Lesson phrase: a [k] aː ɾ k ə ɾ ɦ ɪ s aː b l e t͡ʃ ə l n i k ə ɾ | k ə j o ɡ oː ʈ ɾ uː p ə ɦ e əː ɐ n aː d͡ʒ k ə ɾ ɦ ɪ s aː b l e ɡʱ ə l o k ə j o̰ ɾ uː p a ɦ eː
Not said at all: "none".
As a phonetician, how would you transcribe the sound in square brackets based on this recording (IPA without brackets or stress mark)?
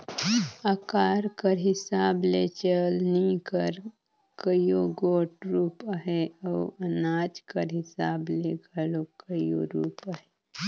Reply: k